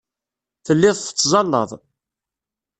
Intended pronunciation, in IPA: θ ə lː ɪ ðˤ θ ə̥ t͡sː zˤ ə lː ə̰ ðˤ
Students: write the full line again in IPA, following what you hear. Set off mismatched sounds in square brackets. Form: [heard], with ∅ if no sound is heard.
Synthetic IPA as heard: θ ə lː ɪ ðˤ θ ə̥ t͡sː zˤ [ɑ] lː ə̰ ðˤ